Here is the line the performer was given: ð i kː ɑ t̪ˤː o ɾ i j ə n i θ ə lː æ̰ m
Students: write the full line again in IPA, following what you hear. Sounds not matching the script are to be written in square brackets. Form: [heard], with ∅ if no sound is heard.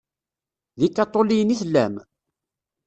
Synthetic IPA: ð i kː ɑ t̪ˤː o [l] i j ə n i θ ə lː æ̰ m